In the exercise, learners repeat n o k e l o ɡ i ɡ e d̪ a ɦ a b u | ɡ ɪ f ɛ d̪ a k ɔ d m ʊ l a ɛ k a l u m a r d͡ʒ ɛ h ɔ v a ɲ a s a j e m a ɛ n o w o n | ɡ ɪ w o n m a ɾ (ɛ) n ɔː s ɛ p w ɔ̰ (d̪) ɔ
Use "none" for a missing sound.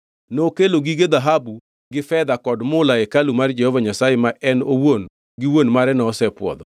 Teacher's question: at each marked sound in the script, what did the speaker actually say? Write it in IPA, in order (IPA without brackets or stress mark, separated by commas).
ɛ, d̪